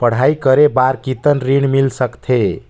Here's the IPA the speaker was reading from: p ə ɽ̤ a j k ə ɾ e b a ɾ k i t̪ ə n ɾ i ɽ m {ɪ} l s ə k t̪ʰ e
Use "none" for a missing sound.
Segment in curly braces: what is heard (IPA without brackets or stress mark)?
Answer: i